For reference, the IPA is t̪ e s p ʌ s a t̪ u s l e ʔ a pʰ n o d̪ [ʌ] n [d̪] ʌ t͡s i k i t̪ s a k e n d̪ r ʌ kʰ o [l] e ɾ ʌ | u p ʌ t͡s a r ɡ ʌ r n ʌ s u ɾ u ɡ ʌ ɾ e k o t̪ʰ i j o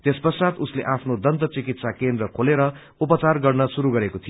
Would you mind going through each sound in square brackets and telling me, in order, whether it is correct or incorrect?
correct, incorrect: t̪, correct

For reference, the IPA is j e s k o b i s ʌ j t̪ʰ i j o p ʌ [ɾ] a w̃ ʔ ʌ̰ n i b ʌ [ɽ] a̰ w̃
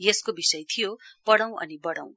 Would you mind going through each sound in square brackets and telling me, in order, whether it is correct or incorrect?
incorrect: ɽ, correct

